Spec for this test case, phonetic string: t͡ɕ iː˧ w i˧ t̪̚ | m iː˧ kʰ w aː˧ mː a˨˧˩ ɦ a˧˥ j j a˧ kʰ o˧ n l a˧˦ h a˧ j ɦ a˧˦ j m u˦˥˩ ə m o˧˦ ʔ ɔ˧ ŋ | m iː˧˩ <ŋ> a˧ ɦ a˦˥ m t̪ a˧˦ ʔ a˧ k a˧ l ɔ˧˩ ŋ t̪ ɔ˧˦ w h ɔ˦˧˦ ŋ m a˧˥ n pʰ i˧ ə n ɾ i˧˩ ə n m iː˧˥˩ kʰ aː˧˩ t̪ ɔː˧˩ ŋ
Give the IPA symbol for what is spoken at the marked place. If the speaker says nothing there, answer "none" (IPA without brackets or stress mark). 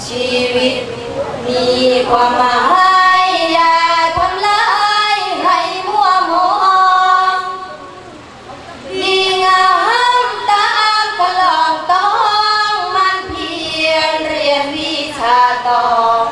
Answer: ŋ